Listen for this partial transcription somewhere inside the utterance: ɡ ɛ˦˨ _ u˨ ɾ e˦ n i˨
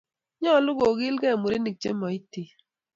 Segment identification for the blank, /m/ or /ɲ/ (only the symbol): m